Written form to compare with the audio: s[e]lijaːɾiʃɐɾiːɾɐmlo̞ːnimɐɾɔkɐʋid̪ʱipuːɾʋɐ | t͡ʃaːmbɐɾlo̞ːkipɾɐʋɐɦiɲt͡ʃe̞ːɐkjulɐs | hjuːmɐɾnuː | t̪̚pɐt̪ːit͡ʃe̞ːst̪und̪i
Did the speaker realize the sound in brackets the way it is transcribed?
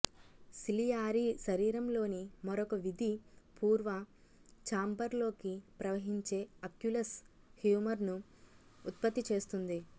no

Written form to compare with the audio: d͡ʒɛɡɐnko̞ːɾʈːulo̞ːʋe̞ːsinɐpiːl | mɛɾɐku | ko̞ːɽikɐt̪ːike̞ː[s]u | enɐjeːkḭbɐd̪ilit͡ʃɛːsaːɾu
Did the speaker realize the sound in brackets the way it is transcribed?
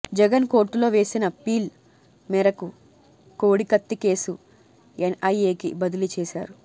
yes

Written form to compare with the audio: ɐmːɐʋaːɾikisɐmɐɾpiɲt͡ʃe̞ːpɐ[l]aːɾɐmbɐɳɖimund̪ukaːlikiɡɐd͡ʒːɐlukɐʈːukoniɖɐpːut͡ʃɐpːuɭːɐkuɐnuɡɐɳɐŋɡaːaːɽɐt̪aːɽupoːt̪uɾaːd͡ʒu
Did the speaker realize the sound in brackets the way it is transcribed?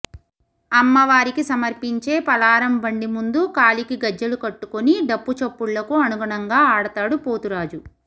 yes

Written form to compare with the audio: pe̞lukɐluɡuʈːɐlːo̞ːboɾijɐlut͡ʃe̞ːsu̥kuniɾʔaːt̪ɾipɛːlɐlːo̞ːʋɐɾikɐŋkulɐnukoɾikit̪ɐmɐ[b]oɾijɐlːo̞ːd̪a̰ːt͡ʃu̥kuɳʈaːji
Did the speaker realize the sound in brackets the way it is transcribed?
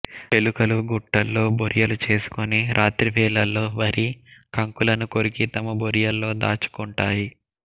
yes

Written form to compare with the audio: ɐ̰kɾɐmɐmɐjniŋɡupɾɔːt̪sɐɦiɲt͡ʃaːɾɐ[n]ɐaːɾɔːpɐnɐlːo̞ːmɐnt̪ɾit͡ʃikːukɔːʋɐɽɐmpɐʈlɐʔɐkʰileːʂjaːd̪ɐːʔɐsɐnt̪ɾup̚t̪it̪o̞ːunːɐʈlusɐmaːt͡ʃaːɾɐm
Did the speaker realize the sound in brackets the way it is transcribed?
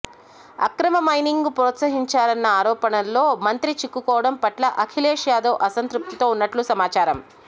no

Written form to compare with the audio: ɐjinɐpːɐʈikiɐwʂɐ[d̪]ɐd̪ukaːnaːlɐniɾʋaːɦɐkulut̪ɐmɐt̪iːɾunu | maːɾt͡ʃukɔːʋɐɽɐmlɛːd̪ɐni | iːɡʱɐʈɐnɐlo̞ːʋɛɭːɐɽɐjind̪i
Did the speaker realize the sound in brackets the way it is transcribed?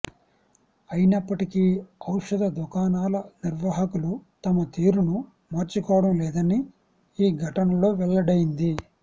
yes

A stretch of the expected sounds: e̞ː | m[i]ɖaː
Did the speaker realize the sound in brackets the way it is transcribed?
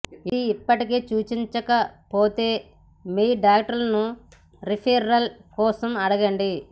no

